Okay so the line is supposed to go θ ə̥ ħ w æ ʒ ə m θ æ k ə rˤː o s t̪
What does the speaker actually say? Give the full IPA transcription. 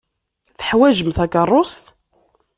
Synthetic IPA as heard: θ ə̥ ħ w æ ʒ ə m θ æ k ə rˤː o s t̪